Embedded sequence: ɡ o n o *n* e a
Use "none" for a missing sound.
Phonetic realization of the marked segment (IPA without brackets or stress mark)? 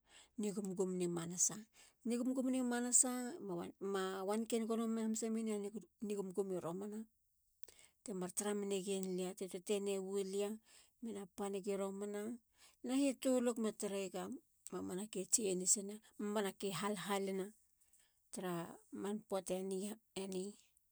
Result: m